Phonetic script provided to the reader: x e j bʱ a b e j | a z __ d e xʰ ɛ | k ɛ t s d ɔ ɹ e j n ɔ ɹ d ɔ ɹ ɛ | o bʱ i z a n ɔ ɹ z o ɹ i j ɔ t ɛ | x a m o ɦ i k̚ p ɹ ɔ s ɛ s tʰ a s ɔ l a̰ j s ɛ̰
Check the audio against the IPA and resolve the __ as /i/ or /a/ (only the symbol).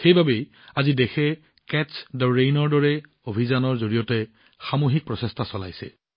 i